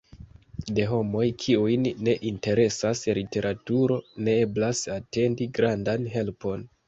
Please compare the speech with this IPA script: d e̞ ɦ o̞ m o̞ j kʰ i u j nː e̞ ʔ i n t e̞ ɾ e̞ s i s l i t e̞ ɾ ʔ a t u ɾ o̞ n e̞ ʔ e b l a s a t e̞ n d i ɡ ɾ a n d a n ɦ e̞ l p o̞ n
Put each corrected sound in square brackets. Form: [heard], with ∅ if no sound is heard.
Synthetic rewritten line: d e̞ ɦ o̞ m o̞ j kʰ i u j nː e̞ ʔ i n t e̞ ɾ e̞ s [a] s l i t e̞ ɾ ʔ a t u ɾ o̞ n e̞ [∅] e b l a s a t e̞ n d i ɡ ɾ a n d a n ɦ e̞ l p o̞ n